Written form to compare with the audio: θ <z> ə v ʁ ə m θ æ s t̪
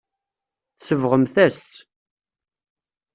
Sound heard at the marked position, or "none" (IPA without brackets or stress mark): s